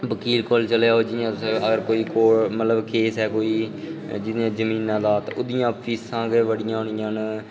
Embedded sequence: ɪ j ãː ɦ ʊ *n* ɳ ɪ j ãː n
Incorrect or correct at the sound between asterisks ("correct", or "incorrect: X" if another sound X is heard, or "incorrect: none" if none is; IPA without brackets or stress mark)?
incorrect: none